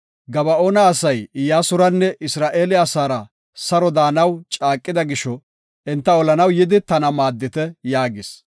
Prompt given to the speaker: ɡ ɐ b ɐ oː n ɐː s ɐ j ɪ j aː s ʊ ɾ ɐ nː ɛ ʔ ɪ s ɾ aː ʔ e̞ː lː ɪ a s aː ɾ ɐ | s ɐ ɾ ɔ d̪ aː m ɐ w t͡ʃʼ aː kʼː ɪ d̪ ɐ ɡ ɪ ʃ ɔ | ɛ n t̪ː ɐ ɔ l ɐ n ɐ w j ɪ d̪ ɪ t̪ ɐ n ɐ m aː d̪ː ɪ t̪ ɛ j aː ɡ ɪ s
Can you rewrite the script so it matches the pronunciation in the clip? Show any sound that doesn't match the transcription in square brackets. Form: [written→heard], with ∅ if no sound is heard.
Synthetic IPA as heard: ɡ ɐ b ɐ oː n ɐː s ɐ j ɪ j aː s ʊ ɾ ɐ nː ɛ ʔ ɪ s ɾ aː ʔ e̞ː [lː→l] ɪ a s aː ɾ ɐ | s ɐ ɾ ɔ d̪ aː [m→n] ɐ w t͡ʃʼ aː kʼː ɪ d̪ ɐ ɡ ɪ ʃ ɔ | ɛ n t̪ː ɐ ɔ l ɐ n ɐ w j ɪ d̪ ɪ t̪ ɐ n ɐ m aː d̪ː ɪ t̪ ɛ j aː ɡ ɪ s